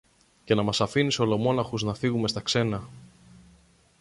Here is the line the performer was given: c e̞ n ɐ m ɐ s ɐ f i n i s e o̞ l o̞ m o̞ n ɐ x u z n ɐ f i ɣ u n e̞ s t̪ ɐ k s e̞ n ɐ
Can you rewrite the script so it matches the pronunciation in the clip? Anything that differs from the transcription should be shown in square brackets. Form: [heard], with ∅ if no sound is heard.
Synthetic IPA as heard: c e̞ n ɐ m ɐ s ɐ f i n i s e o̞ l o̞ m o̞ n ɐ x u z n ɐ f i ɣ u [m] e̞ s t̪ ɐ k s e̞ n ɐ